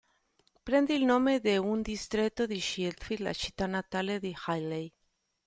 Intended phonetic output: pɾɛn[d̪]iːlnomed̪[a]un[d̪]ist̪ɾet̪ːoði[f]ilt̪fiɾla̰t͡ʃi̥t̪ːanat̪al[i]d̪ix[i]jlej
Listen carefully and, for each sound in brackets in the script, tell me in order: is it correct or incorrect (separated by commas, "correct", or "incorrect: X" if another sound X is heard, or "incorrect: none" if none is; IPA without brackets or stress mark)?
correct, incorrect: e, correct, incorrect: ʃ, incorrect: e, incorrect: a